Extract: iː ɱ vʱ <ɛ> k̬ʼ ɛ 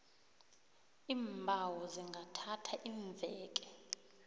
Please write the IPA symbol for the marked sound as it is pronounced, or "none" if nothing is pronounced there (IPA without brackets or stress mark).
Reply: ɛː